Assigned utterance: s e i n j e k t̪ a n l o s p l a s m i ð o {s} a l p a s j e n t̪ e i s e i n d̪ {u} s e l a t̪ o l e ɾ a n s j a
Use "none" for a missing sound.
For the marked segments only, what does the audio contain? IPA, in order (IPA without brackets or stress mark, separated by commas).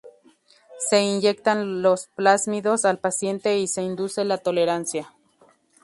s, u